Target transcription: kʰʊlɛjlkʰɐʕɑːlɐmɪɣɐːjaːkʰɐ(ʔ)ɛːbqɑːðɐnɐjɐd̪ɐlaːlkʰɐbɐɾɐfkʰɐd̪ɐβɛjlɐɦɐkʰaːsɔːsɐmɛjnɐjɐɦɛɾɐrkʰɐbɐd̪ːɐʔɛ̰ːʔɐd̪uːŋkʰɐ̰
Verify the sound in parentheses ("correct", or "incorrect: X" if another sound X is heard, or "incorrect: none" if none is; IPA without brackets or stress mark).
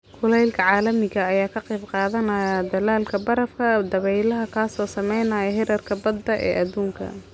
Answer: incorrect: q